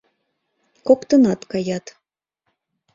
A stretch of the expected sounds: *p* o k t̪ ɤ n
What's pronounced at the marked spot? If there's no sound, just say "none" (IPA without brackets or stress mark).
k